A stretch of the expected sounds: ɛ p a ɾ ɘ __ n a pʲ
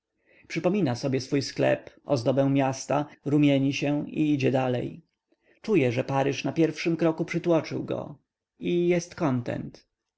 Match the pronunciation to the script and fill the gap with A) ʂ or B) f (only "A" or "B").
A